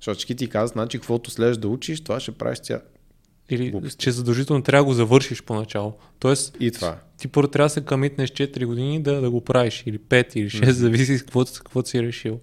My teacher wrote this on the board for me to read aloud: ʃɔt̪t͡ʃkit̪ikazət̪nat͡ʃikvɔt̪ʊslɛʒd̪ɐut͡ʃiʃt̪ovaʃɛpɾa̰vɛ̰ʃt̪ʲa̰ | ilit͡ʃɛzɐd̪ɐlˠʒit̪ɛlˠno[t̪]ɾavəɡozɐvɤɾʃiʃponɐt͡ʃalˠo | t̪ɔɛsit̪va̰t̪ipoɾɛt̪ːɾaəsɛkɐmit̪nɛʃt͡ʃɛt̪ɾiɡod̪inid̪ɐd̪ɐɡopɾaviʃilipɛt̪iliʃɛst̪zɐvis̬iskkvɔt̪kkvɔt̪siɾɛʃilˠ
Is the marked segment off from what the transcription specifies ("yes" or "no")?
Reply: no